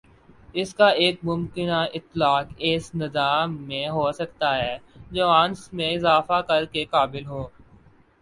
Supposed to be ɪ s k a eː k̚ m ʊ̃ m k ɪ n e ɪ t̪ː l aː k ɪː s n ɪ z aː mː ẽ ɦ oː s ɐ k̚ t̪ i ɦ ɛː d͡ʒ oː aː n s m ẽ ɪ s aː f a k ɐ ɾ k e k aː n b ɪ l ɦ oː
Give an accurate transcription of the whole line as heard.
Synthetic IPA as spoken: ɪ s k a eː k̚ m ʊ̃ m k ɪ n a ɪ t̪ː l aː k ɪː s n ɪ z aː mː ẽ ɦ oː s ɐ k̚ t̪ a ɦ ɛː d͡ʒ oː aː n s m ẽ ɪ z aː f a k ɐ ɾ k e k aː b ɪ l ɦ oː